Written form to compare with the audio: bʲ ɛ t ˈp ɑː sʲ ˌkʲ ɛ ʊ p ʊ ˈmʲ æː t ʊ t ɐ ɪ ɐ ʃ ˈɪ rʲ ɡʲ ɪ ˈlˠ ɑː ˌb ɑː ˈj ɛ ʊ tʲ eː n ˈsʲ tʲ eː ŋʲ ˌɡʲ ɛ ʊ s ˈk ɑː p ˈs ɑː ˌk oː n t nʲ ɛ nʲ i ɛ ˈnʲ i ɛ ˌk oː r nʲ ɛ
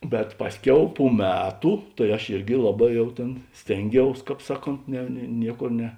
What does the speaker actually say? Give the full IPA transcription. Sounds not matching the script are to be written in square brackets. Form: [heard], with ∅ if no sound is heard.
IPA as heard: bʲ ɛ t ˈp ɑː sʲ ˌkʲ ɛ ʊ p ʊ ˈmʲ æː t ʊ t ɐ ɪ ɐ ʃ ˈɪ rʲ ɡʲ ɪ ˈlˠ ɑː ˌb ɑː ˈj ɛ ʊ tʲ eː n ˈsʲ tʲ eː ŋʲ ˌɡʲ ɛ ʊ s ˈk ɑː p ˈs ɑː ˌk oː n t nʲ ɛ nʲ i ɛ ˈnʲ i ɛ ˌk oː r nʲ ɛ